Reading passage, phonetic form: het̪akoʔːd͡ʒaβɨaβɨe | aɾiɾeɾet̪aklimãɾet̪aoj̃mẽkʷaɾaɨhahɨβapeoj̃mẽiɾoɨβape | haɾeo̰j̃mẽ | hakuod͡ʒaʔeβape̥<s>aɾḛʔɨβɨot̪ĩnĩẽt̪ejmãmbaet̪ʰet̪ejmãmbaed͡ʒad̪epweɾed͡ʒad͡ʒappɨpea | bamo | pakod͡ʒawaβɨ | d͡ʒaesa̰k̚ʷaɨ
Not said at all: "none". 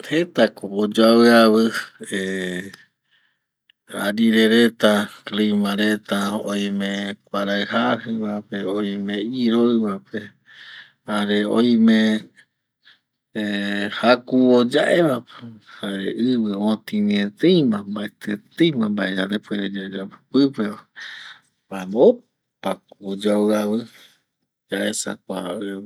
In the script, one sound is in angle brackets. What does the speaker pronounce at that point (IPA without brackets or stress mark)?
h